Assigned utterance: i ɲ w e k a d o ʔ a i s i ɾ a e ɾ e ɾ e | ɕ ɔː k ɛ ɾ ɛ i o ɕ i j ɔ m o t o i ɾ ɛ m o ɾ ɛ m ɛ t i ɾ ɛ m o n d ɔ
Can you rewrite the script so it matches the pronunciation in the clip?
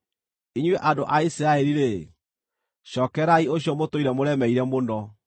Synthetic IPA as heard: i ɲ w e ʔ a d o ʔ a i s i ɾ a e ɾ i ɾ e | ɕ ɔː k ɛ ɾ a i o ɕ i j ɔ m o t o i ɾ ɛ m o ɾ ɛ m ɛ i ɾ ɛ m o n d ɔ